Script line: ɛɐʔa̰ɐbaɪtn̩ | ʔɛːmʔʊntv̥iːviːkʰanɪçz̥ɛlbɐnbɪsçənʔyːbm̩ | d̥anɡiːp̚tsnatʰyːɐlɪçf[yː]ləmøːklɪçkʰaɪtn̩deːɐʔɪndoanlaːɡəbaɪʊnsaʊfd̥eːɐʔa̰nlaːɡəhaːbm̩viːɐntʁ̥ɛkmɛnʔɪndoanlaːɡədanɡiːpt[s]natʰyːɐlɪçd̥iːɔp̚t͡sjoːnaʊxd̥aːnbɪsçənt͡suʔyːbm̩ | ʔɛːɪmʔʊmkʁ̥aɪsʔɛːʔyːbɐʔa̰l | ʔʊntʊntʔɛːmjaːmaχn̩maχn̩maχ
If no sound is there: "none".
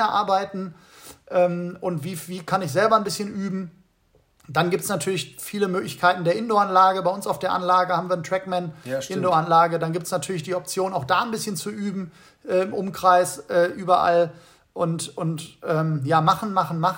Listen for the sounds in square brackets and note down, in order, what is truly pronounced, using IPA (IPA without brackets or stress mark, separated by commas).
iː, s